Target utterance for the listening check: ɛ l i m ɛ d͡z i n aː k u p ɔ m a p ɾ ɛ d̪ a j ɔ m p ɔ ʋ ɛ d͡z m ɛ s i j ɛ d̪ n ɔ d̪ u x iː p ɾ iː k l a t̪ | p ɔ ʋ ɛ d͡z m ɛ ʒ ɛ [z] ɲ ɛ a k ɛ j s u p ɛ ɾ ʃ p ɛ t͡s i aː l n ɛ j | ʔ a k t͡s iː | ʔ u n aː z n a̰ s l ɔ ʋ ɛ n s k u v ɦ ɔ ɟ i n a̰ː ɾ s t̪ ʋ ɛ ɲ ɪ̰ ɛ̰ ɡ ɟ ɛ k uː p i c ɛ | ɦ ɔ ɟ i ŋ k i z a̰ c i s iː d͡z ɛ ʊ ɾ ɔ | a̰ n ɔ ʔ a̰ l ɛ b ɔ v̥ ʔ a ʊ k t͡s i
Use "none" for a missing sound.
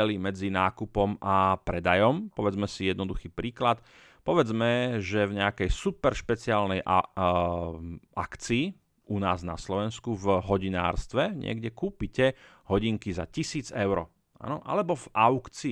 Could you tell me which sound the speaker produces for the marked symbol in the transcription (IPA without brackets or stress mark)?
v